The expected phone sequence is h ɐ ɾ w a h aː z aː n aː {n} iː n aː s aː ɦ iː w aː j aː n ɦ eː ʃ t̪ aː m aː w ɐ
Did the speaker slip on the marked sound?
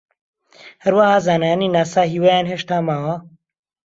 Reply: no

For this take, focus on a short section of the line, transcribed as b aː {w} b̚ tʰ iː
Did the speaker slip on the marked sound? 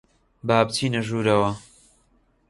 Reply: yes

